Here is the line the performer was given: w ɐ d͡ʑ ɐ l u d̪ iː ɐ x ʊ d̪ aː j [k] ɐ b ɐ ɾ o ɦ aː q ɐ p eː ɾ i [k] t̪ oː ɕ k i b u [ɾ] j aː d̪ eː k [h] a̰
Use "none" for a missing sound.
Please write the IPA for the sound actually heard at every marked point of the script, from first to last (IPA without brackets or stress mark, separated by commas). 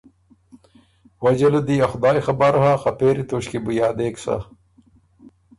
x, none, none, s